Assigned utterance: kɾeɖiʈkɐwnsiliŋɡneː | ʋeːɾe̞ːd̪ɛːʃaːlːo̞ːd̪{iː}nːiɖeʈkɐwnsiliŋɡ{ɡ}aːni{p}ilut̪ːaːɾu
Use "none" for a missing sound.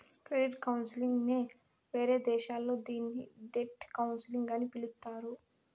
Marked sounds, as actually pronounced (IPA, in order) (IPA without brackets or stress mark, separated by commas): iː, ɡ, p